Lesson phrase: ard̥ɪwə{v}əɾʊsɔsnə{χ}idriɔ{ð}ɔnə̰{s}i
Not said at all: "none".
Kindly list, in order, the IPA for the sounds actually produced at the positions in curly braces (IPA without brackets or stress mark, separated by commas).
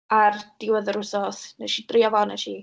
ð, ʃ, v, ʃ